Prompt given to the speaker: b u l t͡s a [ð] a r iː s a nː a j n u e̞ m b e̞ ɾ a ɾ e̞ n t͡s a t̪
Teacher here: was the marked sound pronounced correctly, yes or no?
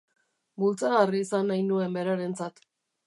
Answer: no